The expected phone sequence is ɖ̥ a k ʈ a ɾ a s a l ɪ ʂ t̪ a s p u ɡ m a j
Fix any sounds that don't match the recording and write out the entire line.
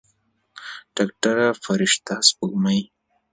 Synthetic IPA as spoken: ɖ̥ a k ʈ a ɾ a f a ɾ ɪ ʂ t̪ a s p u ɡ m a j